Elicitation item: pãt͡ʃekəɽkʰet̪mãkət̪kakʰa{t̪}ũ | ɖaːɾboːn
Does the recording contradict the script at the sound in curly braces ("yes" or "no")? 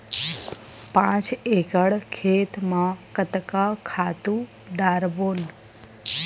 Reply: no